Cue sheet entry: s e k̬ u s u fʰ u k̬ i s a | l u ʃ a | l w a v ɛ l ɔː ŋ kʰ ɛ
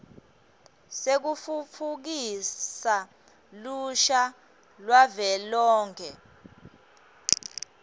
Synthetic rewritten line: s e k̬ u f u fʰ u k̬ i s a | l u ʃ a | l w a v ɛ l ɔː ŋ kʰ ɛ